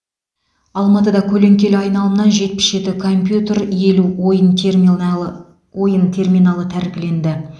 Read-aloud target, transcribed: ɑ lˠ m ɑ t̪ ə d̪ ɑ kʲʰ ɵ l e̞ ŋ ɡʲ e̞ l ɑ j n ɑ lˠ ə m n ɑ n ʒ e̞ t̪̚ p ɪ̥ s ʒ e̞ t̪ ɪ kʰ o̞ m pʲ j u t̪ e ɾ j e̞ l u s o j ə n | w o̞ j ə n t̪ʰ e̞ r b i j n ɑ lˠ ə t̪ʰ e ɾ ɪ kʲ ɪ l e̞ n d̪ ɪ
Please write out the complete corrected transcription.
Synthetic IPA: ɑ lˠ m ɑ t̪ ə d̪ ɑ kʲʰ ɵ l e̞ ŋ kʲ e̞ l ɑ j n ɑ lˠ ə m n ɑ n ʒ e̞ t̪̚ p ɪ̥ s ʒ e̞ t̪ ɪ kʰ o̞ m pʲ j u t̪ e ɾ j e̞ l u o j ə n | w o̞ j ə n t̪ʰ e̞ r m i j n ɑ lˠ ə t̪ʰ æ ɾ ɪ kʲ ɪ l e̞ n d̪ ɪ